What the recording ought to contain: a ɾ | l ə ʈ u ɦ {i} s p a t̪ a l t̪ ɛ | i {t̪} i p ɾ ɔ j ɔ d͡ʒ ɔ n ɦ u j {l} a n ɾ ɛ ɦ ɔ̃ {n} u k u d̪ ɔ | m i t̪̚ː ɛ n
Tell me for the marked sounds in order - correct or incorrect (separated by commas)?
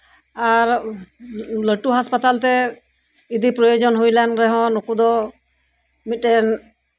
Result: incorrect, incorrect, correct, correct